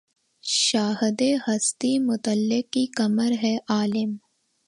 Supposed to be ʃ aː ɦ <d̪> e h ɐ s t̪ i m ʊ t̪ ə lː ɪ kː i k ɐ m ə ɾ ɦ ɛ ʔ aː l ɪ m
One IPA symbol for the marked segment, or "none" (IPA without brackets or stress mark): d̪